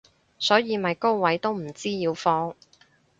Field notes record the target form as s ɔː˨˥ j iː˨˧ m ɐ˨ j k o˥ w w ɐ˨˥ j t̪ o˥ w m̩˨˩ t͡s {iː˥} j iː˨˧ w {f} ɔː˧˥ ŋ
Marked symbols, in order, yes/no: yes, yes

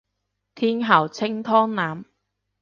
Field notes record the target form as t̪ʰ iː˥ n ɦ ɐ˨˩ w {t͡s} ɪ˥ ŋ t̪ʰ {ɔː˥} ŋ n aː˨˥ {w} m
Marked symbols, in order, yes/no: no, yes, no

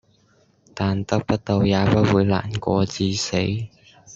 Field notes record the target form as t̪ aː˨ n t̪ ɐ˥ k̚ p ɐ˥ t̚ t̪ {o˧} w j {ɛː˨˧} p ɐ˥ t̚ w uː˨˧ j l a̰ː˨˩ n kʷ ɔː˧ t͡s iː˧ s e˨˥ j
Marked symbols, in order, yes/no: yes, no

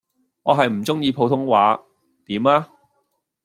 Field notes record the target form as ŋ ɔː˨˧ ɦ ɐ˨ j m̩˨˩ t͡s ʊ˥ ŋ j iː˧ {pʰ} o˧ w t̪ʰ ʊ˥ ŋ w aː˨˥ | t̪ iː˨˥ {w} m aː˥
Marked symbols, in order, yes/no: yes, no

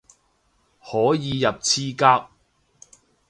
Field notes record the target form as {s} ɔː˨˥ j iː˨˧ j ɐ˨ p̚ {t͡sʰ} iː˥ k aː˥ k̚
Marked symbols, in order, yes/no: no, yes

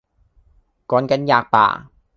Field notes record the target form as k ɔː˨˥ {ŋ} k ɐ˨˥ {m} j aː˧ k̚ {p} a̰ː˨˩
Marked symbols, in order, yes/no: no, no, yes

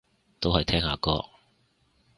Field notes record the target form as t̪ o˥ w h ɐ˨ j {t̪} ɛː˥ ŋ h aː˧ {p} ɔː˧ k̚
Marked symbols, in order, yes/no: no, no

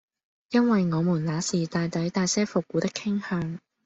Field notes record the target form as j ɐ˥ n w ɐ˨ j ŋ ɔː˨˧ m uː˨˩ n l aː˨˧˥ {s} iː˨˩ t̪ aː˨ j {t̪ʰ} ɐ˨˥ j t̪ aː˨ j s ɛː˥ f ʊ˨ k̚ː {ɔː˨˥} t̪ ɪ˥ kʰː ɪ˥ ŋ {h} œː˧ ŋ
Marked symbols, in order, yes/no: yes, no, no, yes

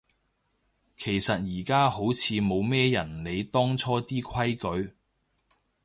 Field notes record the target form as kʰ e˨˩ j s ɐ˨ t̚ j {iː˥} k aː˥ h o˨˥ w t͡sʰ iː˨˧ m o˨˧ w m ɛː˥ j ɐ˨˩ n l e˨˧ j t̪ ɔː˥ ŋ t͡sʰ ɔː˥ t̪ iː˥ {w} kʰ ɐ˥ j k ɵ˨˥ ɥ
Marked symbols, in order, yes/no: no, no

